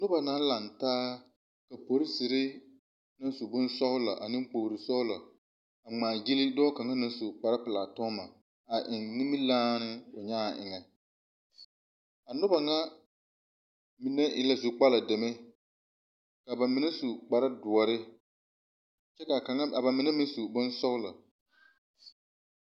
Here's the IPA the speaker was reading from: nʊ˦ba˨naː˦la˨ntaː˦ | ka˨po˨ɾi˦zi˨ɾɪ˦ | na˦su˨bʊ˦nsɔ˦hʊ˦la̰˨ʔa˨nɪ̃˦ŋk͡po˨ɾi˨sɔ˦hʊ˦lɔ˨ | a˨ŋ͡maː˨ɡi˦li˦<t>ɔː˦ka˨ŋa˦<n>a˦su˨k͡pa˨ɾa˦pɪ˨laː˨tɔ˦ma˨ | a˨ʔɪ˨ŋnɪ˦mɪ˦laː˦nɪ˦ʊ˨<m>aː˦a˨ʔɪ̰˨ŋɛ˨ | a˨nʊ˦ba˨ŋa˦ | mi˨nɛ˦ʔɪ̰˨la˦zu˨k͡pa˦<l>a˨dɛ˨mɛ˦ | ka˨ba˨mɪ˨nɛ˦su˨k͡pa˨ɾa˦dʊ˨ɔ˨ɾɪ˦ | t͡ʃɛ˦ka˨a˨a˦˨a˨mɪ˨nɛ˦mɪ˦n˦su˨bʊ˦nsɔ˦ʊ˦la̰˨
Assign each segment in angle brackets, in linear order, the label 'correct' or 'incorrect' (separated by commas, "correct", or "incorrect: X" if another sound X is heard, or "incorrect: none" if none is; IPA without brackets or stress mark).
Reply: incorrect: d, correct, incorrect: ɲ, correct